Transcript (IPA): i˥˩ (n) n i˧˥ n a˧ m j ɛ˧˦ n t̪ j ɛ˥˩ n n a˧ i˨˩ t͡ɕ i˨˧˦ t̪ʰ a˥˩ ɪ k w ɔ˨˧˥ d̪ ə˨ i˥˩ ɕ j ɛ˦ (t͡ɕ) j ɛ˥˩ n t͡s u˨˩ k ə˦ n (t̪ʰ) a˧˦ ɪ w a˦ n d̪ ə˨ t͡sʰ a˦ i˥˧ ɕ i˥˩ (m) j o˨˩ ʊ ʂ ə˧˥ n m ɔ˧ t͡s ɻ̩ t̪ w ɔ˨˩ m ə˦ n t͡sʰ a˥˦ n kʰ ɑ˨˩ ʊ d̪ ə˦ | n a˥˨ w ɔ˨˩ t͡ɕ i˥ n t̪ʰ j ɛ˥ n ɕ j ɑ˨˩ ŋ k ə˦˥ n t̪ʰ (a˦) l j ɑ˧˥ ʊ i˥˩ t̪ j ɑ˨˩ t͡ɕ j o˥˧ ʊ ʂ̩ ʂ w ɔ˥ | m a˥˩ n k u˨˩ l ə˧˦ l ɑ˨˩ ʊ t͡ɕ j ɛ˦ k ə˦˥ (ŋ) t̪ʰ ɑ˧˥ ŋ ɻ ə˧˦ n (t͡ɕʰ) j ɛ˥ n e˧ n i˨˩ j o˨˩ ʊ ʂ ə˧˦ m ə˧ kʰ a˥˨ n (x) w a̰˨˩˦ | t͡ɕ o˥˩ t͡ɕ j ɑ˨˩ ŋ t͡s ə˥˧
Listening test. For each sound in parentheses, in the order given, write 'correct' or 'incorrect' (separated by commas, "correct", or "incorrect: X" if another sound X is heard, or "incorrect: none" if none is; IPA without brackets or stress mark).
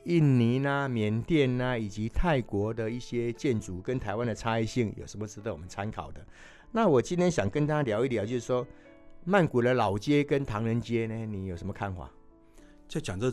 correct, correct, correct, incorrect: ŋ, correct, incorrect: n, incorrect: t͡ɕ, correct